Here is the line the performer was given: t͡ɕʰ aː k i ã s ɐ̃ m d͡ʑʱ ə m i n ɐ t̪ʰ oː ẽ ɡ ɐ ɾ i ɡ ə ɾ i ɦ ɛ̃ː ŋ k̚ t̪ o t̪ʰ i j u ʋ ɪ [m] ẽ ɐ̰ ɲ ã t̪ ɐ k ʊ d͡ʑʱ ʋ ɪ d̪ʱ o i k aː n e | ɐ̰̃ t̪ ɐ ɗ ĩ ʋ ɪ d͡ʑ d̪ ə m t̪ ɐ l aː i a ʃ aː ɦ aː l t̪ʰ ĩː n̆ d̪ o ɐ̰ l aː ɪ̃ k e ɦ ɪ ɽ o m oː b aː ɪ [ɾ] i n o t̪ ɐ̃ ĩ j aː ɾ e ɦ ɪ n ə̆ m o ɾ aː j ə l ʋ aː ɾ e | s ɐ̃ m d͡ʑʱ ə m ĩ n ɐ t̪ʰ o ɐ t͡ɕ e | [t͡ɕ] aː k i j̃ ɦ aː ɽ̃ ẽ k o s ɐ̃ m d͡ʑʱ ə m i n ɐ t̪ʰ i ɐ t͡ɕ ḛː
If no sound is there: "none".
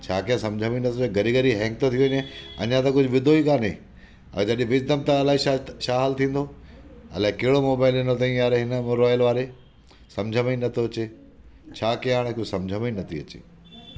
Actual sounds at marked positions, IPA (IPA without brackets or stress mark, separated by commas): ɲ, l, t͡ɕʰ